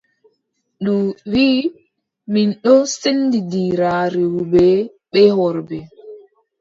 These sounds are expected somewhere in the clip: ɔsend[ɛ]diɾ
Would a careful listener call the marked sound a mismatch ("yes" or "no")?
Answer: yes